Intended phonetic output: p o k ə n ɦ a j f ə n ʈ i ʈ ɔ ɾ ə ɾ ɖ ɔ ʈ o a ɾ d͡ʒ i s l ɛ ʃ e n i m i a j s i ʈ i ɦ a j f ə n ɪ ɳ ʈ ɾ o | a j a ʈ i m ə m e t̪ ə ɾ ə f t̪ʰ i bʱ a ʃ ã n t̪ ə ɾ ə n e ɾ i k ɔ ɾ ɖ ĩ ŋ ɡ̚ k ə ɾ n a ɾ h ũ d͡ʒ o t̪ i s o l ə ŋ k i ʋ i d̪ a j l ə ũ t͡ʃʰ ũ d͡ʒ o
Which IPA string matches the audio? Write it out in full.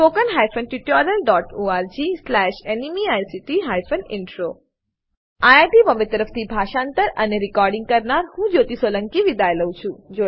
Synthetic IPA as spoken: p o k ə n ɦ a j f ə n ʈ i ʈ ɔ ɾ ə l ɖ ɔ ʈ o a ɾ d͡ʒ i s l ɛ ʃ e n i m i a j s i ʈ i ɦ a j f ə n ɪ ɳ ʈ ɾ o | a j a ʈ i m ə m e t̪ ə ɾ ə f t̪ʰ i bʱ a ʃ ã n t̪ ə ɾ ə n e ɾ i k ɔ ɾ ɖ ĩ ŋ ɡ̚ k ə ɾ n a ɾ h ũ d͡ʒ o t̪ i s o l ə ŋ k i ʋ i d̪ a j l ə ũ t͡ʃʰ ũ d͡ʒ o